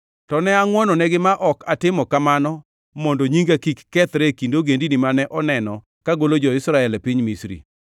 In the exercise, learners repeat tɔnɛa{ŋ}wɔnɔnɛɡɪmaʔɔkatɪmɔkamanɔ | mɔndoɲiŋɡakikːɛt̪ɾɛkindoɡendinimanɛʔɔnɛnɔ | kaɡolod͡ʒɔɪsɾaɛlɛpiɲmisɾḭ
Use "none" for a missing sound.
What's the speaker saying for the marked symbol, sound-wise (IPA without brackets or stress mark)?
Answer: ŋ